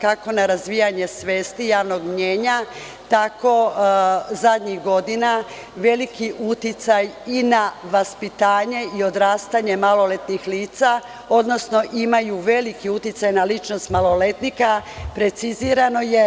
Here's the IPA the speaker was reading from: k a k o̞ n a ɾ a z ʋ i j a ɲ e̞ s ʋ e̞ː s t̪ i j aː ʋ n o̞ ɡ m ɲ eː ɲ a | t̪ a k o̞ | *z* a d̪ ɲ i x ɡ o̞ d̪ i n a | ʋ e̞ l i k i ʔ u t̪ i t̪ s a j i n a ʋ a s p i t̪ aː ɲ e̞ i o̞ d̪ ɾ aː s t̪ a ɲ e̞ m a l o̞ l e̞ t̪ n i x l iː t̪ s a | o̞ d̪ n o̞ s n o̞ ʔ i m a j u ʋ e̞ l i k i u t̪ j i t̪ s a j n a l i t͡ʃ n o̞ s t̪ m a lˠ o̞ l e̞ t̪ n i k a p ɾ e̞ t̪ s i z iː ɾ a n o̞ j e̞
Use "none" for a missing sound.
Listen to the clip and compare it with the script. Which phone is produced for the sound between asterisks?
z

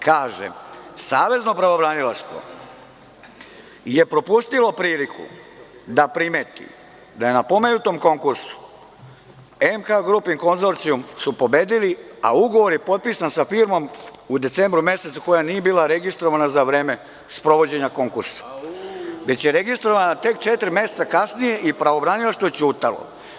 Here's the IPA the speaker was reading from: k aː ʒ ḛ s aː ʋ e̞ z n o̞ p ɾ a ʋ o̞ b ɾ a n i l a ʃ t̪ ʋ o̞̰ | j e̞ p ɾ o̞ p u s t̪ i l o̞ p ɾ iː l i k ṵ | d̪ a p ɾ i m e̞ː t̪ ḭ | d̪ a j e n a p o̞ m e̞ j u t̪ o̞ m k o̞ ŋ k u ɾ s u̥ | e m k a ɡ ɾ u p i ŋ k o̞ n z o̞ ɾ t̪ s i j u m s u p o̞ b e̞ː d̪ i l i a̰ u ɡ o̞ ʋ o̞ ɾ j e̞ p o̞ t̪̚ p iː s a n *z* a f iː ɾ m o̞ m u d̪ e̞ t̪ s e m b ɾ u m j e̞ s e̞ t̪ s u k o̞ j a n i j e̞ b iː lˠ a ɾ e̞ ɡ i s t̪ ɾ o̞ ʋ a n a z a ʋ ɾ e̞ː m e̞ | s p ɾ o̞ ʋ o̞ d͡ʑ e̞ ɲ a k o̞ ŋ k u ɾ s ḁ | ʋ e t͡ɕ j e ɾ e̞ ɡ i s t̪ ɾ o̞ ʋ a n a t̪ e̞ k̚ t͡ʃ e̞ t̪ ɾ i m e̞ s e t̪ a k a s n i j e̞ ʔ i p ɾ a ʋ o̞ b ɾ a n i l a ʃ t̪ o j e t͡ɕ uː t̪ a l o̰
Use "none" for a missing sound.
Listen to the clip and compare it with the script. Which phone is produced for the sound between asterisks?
s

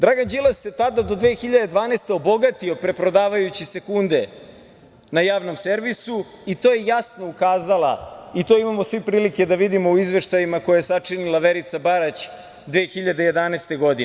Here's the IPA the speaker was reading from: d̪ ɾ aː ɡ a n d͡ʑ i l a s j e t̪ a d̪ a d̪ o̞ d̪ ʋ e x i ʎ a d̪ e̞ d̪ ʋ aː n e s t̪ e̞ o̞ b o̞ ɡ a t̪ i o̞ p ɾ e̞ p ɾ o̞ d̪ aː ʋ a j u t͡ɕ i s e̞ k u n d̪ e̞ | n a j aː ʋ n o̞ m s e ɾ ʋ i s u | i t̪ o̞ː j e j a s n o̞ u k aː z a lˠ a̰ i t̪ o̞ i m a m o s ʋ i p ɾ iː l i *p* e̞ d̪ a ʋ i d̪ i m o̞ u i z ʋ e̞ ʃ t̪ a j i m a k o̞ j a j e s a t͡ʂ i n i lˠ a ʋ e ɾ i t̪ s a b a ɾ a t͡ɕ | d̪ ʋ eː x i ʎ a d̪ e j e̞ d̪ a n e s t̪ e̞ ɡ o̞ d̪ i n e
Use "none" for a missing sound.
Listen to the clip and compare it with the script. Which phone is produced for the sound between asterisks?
k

